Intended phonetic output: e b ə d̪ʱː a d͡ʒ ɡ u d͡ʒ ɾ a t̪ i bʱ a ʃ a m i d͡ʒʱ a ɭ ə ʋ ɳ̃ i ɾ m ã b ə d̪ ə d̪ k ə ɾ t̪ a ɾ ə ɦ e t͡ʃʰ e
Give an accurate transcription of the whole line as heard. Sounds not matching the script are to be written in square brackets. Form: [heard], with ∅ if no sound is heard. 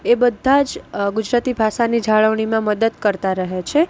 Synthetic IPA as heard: e b ə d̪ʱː a d͡ʒ ɡ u d͡ʒ ɾ a t̪ i bʱ a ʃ a [n] i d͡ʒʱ a ɭ ə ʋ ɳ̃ i [∅] m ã [m] ə d̪ ə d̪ k ə ɾ t̪ a ɾ ə ɦ e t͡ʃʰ e